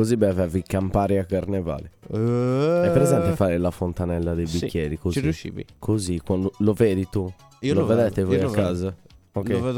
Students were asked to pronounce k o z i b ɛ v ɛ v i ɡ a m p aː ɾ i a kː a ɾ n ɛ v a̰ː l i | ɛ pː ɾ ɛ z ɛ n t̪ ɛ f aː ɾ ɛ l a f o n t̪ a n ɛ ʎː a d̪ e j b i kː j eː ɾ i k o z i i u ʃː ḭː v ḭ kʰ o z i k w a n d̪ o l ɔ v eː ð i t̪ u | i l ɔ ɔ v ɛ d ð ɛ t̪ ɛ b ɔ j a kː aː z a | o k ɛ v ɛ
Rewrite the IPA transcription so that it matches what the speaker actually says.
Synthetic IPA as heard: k o z i b ɛ v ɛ v i k a m p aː ɾ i a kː a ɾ n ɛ v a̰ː l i | ɛ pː ɾ ɛ z ɛ n t̪ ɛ f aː ɾ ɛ l a f o n t̪ a n ɛ lː a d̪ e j b i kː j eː ɾ i k o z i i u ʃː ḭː v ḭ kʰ o z i k w a n d̪ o l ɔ v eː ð i t̪ u | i l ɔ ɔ v ɛ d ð ɛ t̪ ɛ v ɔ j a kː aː z a | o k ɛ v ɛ